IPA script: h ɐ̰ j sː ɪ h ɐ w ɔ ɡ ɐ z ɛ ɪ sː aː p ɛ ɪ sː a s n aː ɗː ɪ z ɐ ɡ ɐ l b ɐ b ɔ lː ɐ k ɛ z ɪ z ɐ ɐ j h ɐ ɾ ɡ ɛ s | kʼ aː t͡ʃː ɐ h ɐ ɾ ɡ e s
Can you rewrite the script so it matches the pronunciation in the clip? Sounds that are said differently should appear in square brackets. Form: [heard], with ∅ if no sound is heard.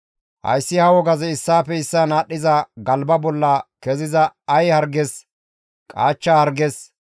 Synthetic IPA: h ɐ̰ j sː ɪ h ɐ w ɔ ɡ ɐ z ɛ ɪ sː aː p ɛ ɪ sː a [∅] n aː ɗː ɪ z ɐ ɡ ɐ l b ɐ b ɔ lː ɐ k ɛ z ɪ z ɐ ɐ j h ɐ ɾ ɡ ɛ s | kʼ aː t͡ʃː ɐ h ɐ ɾ ɡ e s